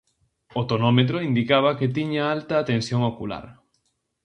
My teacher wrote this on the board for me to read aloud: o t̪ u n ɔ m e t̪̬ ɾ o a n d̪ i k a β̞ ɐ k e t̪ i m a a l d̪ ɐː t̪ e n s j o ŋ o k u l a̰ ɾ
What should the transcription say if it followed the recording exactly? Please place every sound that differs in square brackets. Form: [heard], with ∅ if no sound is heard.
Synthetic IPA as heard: o t̪ [o] n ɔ m e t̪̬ ɾ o [i] n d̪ i k a β̞ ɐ k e t̪ i [ɲ] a a l [t̪] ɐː t̪ e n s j o ŋ o k u l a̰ ɾ